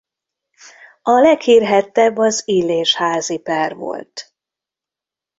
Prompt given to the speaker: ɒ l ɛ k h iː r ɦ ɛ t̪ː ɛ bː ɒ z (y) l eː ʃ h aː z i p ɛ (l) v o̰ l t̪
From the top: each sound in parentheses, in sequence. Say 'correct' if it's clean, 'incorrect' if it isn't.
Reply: incorrect: i, incorrect: r

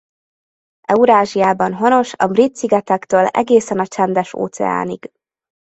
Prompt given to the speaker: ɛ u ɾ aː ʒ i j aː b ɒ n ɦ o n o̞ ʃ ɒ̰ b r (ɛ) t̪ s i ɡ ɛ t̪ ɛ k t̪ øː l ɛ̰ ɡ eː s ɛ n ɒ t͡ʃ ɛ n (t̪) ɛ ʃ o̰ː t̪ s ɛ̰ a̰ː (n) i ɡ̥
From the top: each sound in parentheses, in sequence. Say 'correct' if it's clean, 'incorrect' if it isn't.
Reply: incorrect: i, incorrect: d̪, correct

